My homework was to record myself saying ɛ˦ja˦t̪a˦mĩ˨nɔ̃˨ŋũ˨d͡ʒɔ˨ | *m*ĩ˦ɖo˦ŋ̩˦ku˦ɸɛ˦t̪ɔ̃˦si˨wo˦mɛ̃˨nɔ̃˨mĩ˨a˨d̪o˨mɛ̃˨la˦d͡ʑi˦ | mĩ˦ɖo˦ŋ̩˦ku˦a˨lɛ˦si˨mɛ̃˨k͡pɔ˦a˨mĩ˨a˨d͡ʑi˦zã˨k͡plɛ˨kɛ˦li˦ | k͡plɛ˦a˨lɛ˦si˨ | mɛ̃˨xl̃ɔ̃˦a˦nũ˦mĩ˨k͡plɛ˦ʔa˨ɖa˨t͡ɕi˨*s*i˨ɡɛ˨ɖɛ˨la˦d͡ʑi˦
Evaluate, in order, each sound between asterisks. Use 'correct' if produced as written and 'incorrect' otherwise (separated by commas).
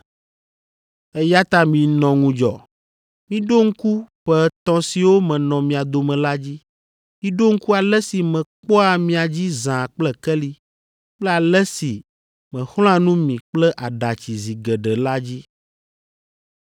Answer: correct, incorrect